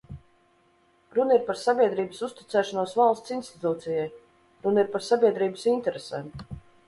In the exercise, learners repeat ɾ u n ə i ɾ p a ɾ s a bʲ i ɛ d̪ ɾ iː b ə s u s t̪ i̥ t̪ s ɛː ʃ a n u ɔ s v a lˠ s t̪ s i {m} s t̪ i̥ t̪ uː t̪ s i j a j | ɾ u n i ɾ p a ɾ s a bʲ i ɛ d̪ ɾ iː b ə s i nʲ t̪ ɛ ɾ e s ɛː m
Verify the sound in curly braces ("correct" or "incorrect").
incorrect